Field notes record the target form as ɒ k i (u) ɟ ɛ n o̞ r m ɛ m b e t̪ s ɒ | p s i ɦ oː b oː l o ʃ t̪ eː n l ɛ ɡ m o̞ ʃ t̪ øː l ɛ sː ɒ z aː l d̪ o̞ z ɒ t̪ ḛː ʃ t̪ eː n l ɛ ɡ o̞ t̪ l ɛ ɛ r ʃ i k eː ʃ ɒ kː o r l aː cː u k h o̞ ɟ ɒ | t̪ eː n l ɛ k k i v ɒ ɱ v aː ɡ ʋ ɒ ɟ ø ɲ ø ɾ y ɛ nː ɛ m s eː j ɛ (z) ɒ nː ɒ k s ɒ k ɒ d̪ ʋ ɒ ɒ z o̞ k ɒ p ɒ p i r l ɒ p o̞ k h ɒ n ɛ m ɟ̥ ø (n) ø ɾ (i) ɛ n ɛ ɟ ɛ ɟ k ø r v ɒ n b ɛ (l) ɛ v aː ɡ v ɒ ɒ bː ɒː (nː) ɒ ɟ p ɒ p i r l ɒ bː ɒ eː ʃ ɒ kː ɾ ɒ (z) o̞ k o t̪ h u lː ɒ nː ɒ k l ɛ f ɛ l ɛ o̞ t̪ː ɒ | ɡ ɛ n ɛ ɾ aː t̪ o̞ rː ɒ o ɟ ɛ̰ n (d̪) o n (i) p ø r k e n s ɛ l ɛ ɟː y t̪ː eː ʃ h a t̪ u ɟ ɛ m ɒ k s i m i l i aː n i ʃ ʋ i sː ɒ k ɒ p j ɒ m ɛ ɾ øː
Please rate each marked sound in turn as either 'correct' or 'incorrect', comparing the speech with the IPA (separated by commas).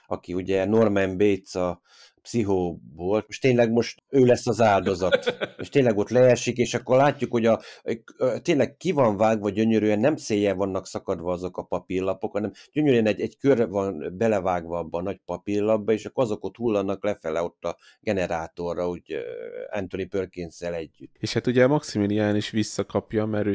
correct, incorrect, incorrect, incorrect, correct, incorrect, correct, incorrect, correct